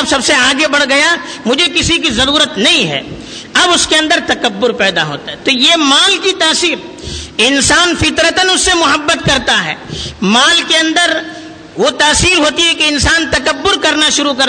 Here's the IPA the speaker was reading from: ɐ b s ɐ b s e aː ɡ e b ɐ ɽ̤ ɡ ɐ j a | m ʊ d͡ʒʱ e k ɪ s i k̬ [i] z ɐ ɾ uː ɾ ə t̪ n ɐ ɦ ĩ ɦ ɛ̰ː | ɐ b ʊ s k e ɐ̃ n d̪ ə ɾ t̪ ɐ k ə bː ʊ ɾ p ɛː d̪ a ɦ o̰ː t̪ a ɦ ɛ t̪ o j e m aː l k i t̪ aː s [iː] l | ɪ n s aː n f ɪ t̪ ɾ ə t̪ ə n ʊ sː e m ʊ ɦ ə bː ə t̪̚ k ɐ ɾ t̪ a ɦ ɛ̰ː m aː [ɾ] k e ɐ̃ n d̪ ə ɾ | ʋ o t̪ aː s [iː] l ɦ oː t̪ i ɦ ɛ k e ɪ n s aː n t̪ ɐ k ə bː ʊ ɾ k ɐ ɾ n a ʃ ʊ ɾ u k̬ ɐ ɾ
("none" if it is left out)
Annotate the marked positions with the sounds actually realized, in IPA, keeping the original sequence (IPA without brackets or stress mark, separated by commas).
i, iː, l, iː